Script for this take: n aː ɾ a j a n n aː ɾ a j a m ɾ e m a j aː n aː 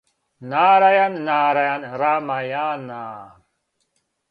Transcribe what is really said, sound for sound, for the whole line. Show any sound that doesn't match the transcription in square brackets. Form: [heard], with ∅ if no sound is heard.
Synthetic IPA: n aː ɾ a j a n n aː ɾ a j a [n] ɾ [a] m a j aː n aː